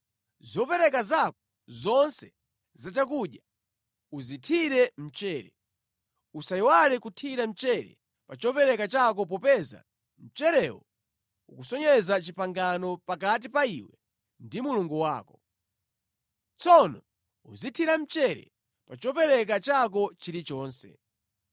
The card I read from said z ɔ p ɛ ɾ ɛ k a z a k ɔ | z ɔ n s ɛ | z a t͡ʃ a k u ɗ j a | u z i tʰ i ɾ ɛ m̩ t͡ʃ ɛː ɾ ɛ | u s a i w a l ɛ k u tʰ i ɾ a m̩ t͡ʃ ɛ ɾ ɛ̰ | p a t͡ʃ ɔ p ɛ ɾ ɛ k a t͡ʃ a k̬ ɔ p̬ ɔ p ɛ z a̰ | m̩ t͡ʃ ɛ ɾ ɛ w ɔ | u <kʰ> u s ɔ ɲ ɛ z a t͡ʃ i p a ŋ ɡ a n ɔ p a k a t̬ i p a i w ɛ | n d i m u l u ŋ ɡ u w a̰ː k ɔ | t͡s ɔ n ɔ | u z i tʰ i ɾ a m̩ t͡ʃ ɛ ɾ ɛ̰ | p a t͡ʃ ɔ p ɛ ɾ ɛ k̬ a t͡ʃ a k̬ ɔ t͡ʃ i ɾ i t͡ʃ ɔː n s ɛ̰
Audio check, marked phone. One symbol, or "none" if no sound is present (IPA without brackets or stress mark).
k